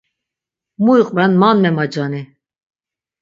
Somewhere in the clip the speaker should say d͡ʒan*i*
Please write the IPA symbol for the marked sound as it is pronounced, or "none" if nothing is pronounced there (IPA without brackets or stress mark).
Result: i